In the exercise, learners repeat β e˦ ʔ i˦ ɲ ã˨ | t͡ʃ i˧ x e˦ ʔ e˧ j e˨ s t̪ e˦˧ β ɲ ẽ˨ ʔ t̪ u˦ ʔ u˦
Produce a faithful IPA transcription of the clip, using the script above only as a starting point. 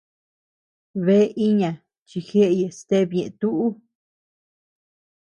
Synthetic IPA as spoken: β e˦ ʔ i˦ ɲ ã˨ | t͡ʃ i˧ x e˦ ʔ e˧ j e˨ s t̪ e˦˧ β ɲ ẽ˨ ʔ t̪ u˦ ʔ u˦